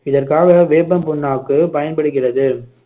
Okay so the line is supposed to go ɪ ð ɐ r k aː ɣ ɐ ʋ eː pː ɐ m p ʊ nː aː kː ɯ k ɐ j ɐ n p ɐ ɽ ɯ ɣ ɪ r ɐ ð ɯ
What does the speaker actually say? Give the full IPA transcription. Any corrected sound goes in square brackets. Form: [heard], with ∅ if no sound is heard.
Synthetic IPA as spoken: ɪ ð ɐ r k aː ɣ ɐ ʋ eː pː ɐ m p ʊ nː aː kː ɯ [p] ɐ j ɐ n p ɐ ɽ ɯ ɣ ɪ r ɐ ð ɯ